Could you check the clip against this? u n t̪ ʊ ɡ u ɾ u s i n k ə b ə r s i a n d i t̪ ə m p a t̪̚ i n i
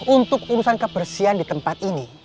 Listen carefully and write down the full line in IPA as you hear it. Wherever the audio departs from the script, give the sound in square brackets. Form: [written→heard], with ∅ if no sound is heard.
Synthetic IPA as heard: u n t̪ ʊ [ɡ→k] u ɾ u s [i→a] n k ə b ə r s i a n d i t̪ ə m p a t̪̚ i n i